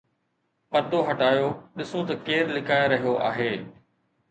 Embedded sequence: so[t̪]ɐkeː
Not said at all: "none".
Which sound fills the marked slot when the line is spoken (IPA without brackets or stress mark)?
t̪